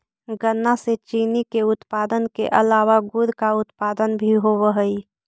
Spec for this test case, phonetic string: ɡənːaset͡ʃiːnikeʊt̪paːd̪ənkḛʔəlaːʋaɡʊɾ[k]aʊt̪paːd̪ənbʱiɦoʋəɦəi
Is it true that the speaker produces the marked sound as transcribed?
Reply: yes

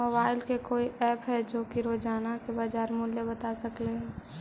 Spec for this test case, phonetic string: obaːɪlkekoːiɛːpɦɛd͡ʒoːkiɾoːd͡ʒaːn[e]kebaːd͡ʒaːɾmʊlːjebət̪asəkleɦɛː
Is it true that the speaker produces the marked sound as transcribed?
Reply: no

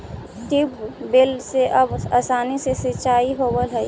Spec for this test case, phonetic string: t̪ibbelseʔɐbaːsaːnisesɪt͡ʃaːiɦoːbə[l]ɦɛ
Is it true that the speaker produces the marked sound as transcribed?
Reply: yes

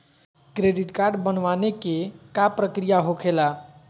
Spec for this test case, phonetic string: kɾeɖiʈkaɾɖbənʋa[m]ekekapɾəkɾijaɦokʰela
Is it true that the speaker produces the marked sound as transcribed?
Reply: no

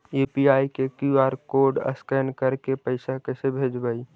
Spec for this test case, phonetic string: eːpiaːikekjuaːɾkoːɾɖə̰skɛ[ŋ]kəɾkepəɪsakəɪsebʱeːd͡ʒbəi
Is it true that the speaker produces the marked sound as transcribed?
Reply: no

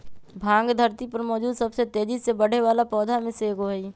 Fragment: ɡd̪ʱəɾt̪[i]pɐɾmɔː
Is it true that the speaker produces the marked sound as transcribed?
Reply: yes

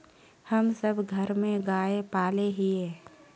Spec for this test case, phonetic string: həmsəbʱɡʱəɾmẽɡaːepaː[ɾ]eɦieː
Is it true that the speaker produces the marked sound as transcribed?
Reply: no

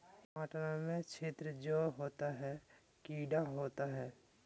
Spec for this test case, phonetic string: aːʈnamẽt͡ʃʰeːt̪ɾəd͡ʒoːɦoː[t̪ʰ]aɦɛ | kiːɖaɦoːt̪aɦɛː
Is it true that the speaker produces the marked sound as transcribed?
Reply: no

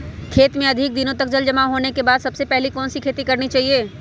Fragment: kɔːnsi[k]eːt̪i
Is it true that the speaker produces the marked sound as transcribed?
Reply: no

